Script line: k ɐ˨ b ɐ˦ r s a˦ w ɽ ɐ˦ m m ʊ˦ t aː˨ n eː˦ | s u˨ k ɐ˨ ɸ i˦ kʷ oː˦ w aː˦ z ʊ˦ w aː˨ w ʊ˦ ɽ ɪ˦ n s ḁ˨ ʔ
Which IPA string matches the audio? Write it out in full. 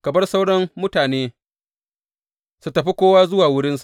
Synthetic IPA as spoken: k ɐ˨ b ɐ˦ r s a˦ w ɽ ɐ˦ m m ʊ˦ t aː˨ n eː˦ | s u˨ t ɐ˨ ɸ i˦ kʷ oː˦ w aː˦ z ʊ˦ w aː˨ w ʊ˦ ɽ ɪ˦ n s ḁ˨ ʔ